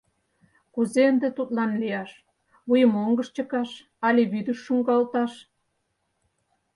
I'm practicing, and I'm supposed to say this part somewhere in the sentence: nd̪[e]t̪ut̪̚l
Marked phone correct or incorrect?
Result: correct